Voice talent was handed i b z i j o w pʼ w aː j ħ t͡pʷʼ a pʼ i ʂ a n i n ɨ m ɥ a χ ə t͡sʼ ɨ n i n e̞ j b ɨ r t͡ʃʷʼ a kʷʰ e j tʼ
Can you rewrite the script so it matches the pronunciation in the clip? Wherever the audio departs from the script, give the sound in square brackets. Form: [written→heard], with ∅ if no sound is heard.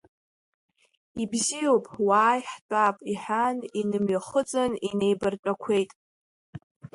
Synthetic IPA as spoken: i b z i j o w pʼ w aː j ħ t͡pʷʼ a pʼ i [ʂ→ħ] a n i n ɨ m ɥ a χ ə t͡sʼ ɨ n i n e̞ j b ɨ r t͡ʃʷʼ a kʷʰ e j tʼ

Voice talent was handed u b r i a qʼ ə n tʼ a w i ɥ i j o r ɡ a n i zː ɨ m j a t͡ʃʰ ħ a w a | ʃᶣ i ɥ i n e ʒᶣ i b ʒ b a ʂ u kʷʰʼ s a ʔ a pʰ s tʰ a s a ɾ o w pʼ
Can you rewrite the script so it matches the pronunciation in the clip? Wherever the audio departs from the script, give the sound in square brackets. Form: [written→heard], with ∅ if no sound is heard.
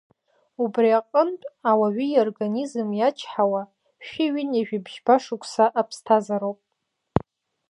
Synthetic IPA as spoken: u b r i a qʼ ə n tʼ a w [i→a] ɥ i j o r ɡ a n i [zː→z] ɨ m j a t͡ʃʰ ħ a w a | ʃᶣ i ɥ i n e ʒᶣ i b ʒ b a ʂ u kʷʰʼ s a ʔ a pʰ s tʰ a [s→z] a ɾ o w pʼ

